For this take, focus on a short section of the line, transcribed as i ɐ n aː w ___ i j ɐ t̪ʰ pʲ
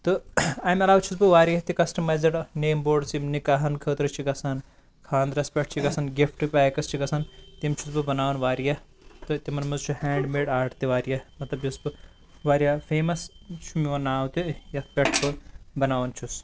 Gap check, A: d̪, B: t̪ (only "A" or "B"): B